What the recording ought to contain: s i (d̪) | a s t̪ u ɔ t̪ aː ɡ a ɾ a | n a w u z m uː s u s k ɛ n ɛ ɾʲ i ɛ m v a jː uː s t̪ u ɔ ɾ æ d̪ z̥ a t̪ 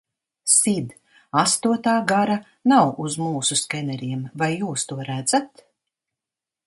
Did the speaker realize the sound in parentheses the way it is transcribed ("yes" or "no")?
yes